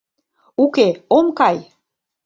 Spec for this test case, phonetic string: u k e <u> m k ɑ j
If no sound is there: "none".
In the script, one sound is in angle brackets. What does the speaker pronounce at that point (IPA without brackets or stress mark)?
o